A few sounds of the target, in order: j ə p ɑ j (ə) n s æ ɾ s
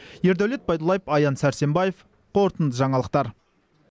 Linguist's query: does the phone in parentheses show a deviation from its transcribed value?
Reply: yes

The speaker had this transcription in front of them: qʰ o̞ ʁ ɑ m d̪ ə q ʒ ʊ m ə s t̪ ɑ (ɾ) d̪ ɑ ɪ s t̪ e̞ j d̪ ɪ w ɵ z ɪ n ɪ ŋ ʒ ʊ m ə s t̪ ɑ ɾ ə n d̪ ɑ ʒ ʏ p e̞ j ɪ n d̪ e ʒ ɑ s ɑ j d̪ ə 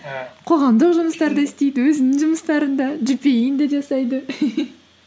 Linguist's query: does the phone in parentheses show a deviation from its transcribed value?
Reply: no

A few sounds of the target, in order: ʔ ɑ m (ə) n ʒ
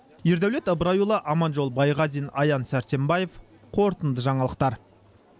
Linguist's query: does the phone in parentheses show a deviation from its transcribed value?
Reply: yes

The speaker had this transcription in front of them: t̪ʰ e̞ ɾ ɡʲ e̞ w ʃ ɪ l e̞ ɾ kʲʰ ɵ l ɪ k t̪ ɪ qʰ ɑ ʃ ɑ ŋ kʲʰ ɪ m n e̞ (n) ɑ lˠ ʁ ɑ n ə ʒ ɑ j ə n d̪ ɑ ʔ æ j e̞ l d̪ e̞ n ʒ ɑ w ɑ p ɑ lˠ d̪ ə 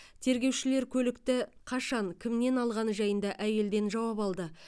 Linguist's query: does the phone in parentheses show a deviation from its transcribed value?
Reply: no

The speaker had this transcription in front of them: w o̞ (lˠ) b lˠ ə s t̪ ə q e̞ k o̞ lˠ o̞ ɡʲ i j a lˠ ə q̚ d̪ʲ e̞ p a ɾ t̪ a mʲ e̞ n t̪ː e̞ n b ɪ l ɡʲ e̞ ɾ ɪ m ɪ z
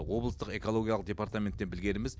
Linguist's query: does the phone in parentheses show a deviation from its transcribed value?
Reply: yes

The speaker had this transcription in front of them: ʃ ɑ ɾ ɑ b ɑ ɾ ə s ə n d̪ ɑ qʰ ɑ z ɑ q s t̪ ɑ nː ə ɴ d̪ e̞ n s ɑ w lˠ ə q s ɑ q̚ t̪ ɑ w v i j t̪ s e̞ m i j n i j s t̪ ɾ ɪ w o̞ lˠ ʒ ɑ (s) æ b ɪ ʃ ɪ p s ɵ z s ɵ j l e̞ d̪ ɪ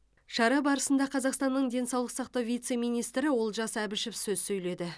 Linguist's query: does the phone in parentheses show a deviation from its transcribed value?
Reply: no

